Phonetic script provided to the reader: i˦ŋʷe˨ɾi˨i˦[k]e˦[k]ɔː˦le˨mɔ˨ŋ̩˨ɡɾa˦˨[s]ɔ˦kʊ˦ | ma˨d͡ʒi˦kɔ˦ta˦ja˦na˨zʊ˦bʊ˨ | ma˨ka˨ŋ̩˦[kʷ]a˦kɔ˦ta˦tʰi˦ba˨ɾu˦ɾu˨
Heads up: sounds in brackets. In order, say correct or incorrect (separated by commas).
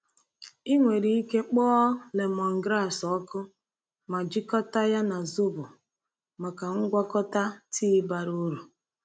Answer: correct, incorrect, correct, incorrect